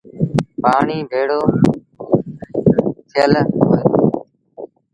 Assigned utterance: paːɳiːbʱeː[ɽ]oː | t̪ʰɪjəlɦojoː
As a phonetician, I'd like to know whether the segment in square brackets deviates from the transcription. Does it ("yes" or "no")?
no